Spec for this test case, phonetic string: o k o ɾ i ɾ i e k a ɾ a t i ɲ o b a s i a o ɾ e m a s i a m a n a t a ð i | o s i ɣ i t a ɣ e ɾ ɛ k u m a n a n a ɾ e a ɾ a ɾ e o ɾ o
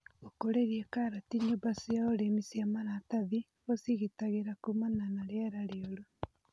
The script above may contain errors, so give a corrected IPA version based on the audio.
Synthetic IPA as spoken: o k o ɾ e ɾ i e k a ɾ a t i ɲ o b a s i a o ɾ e m i s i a m a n a t a ð i | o s i ɣ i t a ɣ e ɾ a k u m a n a n a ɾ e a ɾ a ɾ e o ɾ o